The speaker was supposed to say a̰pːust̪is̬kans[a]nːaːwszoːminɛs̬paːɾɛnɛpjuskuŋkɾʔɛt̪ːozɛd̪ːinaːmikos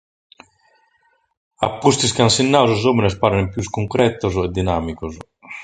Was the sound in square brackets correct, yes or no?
no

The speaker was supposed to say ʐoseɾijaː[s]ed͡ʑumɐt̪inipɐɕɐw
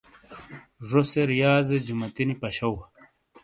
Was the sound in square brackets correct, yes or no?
no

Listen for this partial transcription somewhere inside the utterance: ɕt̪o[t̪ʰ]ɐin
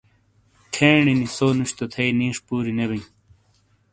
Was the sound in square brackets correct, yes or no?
yes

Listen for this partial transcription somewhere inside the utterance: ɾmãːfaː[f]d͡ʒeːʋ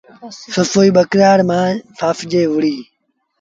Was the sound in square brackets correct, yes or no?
yes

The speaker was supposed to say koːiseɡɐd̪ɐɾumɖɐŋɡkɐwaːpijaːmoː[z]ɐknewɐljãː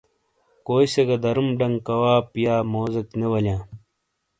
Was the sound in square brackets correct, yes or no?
yes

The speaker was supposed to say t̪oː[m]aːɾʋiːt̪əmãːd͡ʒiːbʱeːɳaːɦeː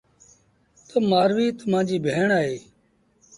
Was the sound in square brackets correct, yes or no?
yes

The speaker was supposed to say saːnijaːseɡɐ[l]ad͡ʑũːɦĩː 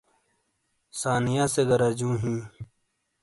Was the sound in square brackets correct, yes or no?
no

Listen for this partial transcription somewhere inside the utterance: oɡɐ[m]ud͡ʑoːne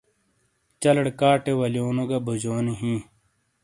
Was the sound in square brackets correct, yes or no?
no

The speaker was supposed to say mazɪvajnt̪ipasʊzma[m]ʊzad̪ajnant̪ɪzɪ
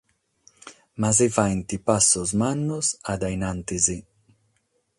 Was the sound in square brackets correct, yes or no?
no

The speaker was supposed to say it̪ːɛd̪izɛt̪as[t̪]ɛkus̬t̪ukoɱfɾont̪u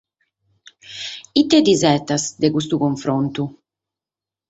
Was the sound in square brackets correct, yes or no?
no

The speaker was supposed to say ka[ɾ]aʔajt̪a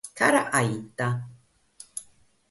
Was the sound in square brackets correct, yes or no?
yes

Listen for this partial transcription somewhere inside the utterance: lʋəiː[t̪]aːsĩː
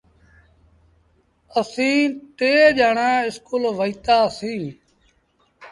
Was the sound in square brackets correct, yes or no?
yes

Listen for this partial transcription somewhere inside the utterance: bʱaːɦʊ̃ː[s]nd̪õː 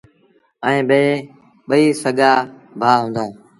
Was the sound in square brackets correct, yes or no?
no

